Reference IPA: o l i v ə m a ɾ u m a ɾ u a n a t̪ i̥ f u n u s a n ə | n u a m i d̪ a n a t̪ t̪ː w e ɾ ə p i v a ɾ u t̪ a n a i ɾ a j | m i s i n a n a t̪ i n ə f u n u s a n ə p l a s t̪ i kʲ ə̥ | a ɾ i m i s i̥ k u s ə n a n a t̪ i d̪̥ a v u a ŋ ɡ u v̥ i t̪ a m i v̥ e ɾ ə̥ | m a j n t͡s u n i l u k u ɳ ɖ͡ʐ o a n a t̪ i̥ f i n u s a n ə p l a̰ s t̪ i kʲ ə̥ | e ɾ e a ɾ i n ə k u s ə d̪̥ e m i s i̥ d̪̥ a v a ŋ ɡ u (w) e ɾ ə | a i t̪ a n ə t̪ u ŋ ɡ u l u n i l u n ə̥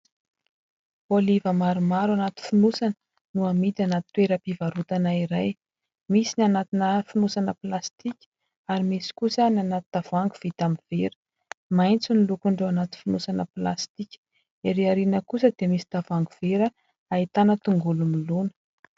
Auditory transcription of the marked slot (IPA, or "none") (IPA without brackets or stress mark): v